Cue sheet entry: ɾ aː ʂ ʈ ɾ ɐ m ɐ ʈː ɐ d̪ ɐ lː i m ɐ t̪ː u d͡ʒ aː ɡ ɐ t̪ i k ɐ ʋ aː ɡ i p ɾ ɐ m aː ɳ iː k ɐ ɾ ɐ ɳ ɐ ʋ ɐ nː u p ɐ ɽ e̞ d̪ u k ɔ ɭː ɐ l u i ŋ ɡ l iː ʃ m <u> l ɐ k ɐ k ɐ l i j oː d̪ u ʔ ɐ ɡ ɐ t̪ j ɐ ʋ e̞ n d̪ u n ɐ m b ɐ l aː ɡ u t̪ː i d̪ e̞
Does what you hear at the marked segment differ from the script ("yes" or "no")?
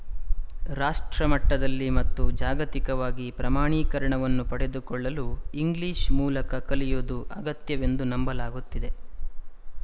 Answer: yes